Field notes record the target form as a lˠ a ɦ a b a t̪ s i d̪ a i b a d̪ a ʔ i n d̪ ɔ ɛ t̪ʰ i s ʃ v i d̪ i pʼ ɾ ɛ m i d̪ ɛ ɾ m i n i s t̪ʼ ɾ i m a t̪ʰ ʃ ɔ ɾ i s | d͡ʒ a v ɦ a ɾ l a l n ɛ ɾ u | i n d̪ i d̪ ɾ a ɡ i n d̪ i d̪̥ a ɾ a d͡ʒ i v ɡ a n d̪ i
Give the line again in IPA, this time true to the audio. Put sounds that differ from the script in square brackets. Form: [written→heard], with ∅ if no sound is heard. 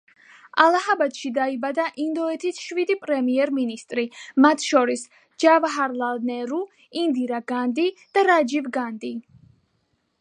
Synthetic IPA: a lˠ a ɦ a b a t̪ [s→ʃ] i d̪ a i b a d̪ a ʔ i n d̪ ɔ ɛ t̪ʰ i s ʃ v i d̪ i pʼ ɾ ɛ m i [d̪→∅] ɛ ɾ m i n i s t̪ʼ ɾ i m a t̪ʰ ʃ ɔ ɾ i s | d͡ʒ a v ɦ a ɾ l a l n ɛ ɾ u | i n d̪ i [d̪→∅] ɾ a ɡ [i→a] n d̪ i d̪̥ a ɾ a d͡ʒ i v ɡ a n d̪ i